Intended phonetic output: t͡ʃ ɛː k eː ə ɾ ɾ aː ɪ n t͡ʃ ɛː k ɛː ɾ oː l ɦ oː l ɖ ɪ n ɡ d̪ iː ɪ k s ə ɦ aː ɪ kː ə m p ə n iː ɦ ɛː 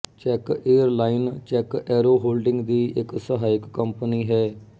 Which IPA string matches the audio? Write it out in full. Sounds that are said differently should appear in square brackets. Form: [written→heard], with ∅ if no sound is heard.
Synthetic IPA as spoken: t͡ʃ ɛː k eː ə ɾ [ɾ→l] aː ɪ n t͡ʃ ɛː k ɛː ɾ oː [l→∅] ɦ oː l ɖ ɪ [n→ŋ] ɡ d̪ iː ɪ k s ə ɦ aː ɪ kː ə m p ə n iː ɦ ɛː